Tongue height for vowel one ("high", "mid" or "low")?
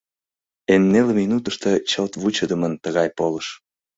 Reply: mid